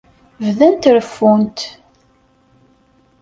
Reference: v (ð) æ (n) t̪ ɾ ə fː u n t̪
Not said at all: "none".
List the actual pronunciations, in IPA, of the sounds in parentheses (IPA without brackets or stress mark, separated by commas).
ð, n